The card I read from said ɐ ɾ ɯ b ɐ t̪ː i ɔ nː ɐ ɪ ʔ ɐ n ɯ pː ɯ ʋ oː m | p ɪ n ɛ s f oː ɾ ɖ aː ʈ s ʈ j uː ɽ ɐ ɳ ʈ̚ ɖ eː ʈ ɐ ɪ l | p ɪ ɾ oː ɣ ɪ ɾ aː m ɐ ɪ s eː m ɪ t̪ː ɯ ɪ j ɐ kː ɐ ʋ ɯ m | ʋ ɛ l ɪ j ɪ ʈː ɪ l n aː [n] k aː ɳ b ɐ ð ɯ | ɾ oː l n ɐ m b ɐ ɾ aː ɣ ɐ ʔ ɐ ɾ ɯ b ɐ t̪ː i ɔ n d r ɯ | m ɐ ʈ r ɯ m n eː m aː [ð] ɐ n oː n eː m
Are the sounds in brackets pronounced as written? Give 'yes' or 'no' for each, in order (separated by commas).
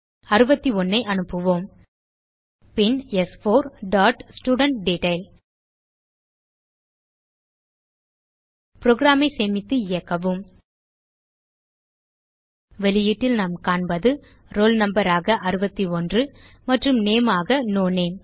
no, no